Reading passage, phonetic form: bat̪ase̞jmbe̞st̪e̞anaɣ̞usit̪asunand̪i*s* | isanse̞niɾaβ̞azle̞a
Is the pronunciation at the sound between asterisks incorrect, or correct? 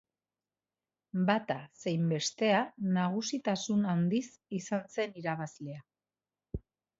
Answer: correct